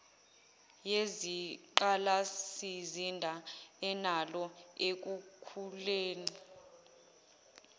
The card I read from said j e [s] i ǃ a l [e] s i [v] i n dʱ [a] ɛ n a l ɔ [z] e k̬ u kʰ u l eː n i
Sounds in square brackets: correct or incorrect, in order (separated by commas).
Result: incorrect, incorrect, incorrect, correct, incorrect